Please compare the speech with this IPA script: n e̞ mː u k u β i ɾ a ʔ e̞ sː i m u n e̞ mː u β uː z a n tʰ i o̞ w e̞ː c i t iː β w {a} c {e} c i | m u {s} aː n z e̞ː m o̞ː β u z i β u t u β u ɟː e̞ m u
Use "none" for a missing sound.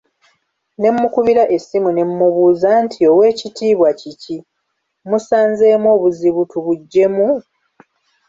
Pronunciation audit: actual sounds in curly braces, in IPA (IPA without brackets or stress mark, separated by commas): a, i, s